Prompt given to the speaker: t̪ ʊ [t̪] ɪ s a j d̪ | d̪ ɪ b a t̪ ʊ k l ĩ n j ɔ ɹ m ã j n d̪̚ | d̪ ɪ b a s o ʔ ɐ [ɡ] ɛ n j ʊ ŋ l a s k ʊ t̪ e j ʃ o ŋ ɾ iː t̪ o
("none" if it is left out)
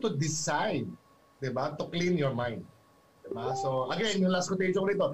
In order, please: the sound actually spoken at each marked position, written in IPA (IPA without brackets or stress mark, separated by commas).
d̪, ɡ